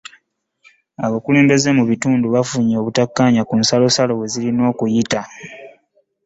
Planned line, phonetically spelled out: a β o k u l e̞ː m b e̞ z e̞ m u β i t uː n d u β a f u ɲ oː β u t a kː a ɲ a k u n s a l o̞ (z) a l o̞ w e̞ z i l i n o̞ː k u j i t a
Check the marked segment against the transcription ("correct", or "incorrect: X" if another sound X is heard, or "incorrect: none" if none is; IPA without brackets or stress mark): incorrect: s